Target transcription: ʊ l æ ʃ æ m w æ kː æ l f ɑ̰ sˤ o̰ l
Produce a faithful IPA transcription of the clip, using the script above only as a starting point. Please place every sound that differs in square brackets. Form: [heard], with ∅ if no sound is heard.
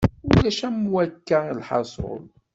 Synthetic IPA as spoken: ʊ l æ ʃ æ m w æ kː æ l [ħ] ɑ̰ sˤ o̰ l